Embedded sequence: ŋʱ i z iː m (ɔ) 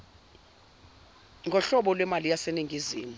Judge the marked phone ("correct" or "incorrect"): incorrect